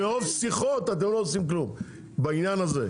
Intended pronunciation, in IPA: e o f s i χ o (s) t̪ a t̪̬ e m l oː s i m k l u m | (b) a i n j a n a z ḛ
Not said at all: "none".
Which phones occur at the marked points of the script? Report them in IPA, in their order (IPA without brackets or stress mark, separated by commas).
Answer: none, b